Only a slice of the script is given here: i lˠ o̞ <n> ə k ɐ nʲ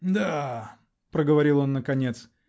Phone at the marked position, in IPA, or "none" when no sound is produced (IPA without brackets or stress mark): nː